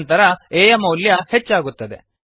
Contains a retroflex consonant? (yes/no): no